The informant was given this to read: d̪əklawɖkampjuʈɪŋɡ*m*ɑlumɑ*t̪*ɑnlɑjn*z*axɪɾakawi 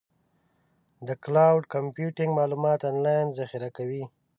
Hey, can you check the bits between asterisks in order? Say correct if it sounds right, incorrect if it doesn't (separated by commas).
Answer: correct, correct, correct